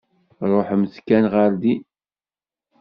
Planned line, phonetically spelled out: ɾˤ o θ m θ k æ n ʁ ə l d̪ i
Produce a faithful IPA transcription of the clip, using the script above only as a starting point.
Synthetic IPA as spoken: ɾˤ o ħ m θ k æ n ʁ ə ɾ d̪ i

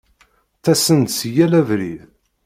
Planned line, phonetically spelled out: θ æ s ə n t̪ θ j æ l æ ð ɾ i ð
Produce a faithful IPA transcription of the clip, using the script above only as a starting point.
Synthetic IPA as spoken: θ æ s ə n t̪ s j æ l æ v ɾ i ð

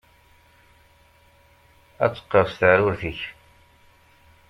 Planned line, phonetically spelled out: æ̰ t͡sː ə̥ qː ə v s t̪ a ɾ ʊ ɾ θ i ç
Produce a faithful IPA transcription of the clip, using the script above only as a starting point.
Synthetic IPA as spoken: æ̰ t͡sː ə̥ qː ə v s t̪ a ɾ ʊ ɾ θ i ç

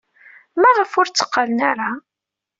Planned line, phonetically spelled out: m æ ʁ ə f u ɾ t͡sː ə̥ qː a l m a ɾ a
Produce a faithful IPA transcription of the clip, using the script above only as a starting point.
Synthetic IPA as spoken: m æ ʁ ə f ʊ ɾ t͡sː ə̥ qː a l n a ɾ a

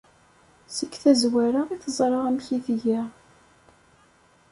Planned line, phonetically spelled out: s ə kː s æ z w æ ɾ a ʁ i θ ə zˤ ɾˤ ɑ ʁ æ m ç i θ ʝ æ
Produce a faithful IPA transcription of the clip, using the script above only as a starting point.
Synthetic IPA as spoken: s ə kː θ æ z w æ ɾ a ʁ i θ ə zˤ ɾˤ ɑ ʁ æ m ç i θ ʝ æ

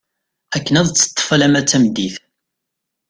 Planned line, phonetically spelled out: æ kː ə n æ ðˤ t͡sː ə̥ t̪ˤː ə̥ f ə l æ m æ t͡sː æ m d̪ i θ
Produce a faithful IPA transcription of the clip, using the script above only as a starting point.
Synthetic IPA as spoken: æ kː ə n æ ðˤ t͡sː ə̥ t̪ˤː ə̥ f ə l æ m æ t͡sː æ m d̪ i θ

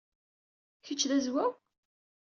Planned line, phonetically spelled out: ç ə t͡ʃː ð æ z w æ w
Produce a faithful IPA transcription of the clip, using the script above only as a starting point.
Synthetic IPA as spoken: ç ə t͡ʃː ð æ z w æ w

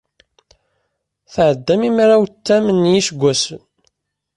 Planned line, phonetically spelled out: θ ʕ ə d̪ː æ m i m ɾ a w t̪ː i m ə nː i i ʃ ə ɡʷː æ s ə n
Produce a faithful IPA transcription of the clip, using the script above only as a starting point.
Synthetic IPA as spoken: θ ʕ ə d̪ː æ m i m ɾ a w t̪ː æ m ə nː j i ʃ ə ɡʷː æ s ə n

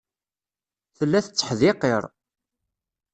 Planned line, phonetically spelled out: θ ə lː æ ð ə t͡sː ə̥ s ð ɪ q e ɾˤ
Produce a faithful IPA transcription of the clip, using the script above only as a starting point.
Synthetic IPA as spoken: θ ə lː æ θ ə t͡sː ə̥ ħ ð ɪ q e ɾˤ

